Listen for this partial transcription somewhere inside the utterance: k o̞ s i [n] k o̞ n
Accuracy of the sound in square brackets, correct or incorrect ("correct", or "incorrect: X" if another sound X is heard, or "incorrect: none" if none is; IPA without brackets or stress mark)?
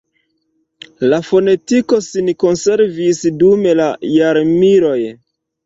correct